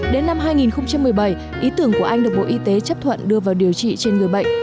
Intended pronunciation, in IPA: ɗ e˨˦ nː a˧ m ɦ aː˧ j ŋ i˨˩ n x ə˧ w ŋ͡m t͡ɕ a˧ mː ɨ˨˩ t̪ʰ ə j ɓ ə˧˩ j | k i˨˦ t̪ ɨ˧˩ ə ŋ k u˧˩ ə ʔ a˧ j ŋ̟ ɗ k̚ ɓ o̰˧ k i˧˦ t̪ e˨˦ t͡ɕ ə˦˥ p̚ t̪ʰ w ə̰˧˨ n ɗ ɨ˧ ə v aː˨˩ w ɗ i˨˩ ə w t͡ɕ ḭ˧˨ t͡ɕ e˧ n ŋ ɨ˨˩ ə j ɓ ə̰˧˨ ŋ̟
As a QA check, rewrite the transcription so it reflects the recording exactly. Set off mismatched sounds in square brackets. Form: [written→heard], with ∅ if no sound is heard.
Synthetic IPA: ɗ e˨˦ nː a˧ m ɦ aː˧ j ŋ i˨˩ n x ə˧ w ŋ͡m t͡ɕ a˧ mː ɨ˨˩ [t̪ʰ→∅] ə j ɓ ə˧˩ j | [k→ʔ] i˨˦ t̪ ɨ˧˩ ə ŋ k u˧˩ ə ʔ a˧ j ŋ̟ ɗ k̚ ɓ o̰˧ [k→ʔ] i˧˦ t̪ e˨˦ t͡ɕ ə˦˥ p̚ t̪ʰ w ə̰˧˨ n ɗ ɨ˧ ə v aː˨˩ w ɗ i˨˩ ə w t͡ɕ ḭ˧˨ t͡ɕ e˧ n ŋ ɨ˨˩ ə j ɓ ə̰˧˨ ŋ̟